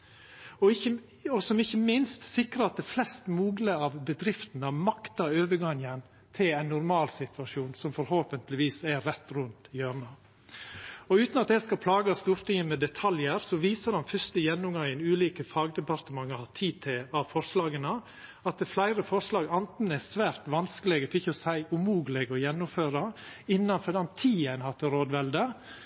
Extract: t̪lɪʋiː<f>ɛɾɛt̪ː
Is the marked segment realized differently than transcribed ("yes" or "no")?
yes